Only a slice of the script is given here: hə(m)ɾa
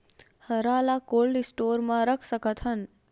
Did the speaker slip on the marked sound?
yes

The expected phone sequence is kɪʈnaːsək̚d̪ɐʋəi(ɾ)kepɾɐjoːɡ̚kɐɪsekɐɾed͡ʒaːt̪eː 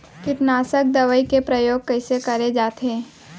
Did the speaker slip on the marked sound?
yes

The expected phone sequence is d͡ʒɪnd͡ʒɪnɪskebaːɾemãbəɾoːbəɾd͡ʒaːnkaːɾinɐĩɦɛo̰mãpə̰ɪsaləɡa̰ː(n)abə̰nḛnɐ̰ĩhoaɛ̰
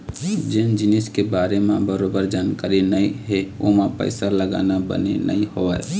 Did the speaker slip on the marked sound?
no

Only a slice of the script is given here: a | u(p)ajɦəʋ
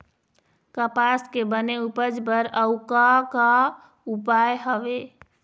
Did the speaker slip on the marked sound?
no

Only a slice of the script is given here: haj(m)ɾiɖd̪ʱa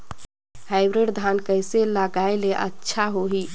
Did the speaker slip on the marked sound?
yes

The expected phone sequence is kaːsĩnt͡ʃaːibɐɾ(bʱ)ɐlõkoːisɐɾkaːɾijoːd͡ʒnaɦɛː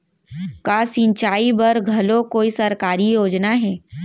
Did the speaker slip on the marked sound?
yes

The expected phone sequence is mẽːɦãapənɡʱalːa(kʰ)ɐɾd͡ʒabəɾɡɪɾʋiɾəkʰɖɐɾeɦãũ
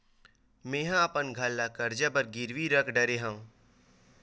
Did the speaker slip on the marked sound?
yes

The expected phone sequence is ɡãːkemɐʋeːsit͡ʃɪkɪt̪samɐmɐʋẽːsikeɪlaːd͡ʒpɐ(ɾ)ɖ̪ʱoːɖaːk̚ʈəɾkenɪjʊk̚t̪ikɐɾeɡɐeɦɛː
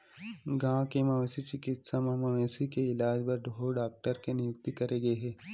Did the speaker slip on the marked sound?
no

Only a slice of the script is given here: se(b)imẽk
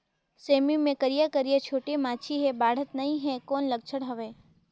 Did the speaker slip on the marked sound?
yes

